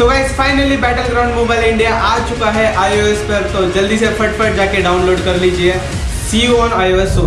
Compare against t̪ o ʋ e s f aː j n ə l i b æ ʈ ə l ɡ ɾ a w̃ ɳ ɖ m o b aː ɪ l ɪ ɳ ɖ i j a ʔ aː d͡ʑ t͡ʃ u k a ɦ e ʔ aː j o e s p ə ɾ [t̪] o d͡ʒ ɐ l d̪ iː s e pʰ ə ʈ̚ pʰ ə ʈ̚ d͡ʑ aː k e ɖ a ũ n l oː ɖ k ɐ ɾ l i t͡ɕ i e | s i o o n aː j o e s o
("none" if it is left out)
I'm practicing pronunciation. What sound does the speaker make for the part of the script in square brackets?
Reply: t̪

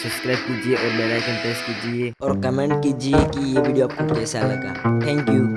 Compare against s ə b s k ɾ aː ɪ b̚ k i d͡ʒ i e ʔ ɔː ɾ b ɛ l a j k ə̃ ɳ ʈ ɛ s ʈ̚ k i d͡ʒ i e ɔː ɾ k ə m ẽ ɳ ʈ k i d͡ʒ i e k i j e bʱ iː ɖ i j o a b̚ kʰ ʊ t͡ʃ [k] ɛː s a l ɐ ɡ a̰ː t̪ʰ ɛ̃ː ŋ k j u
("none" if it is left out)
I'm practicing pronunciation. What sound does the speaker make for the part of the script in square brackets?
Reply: k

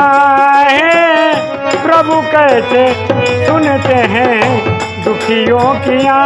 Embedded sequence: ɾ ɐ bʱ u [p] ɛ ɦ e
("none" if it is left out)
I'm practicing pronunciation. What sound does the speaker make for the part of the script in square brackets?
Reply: k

